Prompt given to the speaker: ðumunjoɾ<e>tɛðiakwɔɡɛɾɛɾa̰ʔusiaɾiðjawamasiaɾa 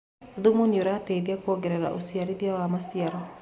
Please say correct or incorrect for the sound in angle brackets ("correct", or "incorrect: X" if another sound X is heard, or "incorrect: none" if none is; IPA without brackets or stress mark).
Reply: incorrect: a